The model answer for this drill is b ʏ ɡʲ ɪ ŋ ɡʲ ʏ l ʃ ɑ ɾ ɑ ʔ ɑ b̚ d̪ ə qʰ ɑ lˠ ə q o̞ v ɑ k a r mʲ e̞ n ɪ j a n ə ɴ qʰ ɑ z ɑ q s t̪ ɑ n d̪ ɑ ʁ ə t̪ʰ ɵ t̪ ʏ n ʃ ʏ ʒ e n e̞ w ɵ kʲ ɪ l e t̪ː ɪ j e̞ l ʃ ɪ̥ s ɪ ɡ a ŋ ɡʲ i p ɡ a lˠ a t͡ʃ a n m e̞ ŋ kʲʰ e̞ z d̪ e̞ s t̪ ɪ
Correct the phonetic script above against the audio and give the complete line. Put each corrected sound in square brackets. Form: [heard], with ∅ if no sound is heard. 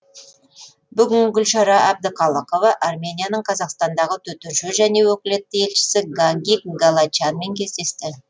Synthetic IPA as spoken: b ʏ ɡʲ ɪ ŋ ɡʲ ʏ l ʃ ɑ ɾ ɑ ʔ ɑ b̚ d̪ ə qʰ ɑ lˠ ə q o̞ v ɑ [ʔ] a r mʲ e̞ n [i] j a n ə ɴ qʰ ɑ z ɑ q s t̪ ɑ n d̪ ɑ ʁ ə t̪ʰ ɵ t̪ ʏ n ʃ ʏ ʒ [æ] n e̞ w ɵ kʲ ɪ l e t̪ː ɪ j e̞ l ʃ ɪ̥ s ɪ ɡ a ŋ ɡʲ i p ɡ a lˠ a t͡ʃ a n m e̞ ŋ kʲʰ e̞ z d̪ e̞ s t̪ ɪ

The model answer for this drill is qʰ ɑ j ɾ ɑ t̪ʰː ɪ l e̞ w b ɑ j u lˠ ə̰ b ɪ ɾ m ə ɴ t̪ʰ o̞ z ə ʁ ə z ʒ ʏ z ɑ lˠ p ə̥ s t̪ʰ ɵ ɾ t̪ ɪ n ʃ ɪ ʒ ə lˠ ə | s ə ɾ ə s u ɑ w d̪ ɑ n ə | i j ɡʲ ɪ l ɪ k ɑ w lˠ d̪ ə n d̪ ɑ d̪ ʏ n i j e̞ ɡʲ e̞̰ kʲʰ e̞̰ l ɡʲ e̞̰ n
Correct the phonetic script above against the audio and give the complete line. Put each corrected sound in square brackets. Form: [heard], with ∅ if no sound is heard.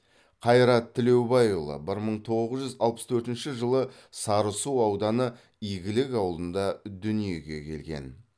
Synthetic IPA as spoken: qʰ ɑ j ɾ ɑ t̪ʰː ɪ l e̞ w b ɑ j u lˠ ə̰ b ɪ ɾ m ə ɴ t̪ʰ o̞ [ʁ] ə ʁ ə z ʒ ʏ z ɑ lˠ p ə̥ s t̪ʰ ɵ ɾ t̪ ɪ n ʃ ɪ ʒ ə lˠ ə | s [ɑ] ɾ ə s u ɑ w d̪ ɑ n ə | i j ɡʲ ɪ l ɪ k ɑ w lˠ d̪ ə n d̪ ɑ d̪ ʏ n i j e̞ ɡʲ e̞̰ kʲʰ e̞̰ l ɡʲ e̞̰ n

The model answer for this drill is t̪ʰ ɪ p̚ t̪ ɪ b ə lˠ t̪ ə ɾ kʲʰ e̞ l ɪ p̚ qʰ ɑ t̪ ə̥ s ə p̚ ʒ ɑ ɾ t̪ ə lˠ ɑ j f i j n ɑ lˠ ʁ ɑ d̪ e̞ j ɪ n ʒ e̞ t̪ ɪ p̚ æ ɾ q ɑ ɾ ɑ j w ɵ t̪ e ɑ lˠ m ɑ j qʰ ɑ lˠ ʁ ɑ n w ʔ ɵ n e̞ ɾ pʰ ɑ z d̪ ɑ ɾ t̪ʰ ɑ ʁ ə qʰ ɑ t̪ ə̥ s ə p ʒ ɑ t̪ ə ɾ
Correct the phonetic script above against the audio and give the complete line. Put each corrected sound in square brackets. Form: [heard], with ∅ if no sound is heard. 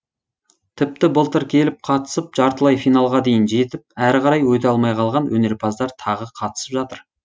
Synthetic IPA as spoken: t̪ʰ ɪ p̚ t̪ ɪ b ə lˠ t̪ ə ɾ kʲʰ e̞ l ɪ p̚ qʰ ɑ t̪ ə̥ s ə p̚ ʒ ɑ ɾ t̪ ə lˠ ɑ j f i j n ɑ lˠ ʁ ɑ d̪ e̞ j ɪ n ʒ e̞ t̪ ɪ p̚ æ ɾ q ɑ ɾ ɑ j w ɵ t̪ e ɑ lˠ m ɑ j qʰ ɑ lˠ ʁ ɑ n w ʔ ɵ n e̞ ɾ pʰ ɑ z d̪ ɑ ɾ t̪ʰ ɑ ʁ ə qʰ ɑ t̪ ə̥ s ə p ʒ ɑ t̪ ə ɾ

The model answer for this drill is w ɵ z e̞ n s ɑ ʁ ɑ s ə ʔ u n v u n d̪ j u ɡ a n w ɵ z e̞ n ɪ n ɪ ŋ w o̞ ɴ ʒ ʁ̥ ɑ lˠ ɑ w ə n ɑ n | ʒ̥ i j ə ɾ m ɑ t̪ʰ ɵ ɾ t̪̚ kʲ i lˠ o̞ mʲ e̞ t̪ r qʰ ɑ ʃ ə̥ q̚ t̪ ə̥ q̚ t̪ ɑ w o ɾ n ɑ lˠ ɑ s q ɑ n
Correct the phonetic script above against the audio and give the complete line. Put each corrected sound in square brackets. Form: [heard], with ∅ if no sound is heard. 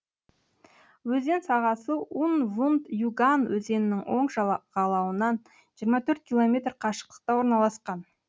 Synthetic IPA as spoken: w ɵ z e̞ n s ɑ ʁ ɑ s ə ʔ u n v u n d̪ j u ɡ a n w ɵ z e̞ n ɪ n ɪ ŋ w o̞ ɴ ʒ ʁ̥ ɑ lˠ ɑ w ə n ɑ n | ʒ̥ i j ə ɾ m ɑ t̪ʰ ɵ ɾ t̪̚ kʲ i lˠ o̞ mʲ e̞ t̪ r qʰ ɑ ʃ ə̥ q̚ t̪ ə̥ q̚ t̪ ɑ w o ɾ n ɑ lˠ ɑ s q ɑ n

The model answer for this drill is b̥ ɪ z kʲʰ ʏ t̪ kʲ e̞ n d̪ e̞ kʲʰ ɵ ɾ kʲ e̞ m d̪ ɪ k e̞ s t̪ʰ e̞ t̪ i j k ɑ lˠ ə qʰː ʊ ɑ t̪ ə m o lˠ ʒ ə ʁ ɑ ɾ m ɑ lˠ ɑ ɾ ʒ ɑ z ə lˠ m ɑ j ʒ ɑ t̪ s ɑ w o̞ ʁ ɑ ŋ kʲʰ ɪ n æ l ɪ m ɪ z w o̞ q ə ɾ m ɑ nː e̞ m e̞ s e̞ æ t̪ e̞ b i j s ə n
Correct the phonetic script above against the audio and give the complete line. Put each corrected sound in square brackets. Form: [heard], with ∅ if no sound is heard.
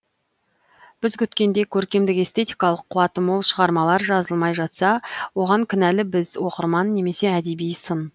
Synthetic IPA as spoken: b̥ ɪ z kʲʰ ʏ t̪ kʲ e̞ n d̪ e̞ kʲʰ ɵ ɾ kʲ e̞ m d̪ ɪ k e̞ s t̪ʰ e̞ t̪ i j k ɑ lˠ ə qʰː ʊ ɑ t̪ ə m o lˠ [ʃ] ə ʁ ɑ ɾ m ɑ lˠ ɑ ɾ ʒ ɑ z ə lˠ m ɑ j ʒ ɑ t̪ s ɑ w o̞ ʁ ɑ ŋ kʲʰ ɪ n æ l ɪ [b] ɪ z w o̞ q ə ɾ m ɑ nː e̞ m e̞ s e̞ æ [d̪] e̞ b i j s ə n

